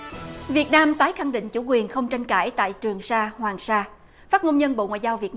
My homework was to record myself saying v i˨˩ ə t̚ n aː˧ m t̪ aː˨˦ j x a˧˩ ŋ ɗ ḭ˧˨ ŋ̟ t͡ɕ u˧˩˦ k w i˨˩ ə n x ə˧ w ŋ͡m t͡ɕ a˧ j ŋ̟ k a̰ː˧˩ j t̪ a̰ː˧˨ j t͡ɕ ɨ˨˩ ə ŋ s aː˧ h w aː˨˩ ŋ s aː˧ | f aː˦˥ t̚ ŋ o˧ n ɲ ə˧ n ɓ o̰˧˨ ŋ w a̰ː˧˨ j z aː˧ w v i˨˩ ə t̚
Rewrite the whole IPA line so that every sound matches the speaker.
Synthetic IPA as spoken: v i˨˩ ə t̚ n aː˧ m t̪ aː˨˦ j x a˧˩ ŋ ɗ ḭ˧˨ ŋ̟ t͡ɕ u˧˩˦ k w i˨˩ ə n x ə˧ w ŋ͡m t͡ɕ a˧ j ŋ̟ k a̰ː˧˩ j t̪ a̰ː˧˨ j t͡ɕ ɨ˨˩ ə ŋ s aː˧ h w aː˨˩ ŋ s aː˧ | f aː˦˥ t̚ ŋ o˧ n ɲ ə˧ n ɓ o̰˧˨ ŋ w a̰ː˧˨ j z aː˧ w v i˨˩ ə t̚